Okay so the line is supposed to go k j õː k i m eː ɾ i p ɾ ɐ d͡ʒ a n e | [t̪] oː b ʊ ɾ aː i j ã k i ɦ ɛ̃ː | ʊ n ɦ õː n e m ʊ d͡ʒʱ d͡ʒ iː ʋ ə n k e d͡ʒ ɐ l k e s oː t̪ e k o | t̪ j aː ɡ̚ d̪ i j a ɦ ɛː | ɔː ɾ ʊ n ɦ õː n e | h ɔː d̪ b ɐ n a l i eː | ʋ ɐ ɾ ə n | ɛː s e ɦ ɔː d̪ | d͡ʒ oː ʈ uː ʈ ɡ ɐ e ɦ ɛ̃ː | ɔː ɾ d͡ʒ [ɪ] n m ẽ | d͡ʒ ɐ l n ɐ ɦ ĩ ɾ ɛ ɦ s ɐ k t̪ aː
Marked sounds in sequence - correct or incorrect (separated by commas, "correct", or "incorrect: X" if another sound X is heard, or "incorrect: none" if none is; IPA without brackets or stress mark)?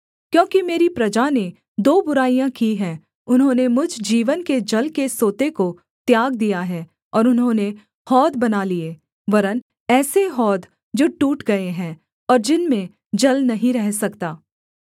incorrect: d̪, correct